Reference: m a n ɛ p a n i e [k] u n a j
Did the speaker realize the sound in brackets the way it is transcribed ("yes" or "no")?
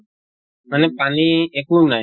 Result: yes